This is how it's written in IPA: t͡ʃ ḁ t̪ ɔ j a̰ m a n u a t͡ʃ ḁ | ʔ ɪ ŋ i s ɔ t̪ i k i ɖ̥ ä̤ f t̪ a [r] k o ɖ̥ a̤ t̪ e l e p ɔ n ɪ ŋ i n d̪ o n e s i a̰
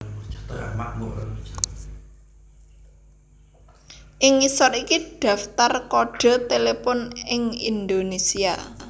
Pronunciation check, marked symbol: correct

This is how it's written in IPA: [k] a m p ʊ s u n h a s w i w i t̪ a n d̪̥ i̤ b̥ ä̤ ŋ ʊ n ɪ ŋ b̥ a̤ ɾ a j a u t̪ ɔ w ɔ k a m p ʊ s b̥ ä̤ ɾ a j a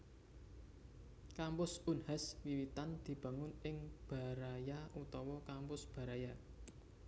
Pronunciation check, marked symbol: correct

